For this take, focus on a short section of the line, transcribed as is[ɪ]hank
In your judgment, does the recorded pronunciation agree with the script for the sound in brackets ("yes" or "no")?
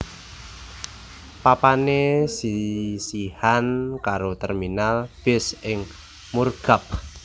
no